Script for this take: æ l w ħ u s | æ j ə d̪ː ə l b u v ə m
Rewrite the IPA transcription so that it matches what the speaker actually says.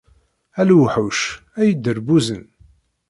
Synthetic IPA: æ l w ħ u ʃ | æ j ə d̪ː ə ɾ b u z ə n